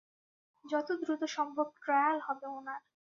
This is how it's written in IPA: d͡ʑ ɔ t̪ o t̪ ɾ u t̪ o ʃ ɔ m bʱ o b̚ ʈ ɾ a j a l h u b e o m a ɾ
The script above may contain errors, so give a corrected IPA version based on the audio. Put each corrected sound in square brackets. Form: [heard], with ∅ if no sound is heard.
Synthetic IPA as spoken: d͡ʑ ɔ t̪ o [d̪] ɾ u t̪ o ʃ ɔ m bʱ o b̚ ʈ ɾ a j a l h [ɔ] b e o [n] a ɾ